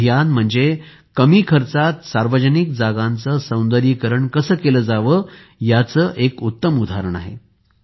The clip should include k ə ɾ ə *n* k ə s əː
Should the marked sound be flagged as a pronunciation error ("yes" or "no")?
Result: yes